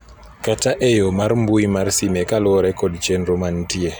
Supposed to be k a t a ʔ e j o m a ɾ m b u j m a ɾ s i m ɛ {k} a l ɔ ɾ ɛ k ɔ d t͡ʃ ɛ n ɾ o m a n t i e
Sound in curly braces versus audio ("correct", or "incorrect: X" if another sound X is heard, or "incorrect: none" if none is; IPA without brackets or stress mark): correct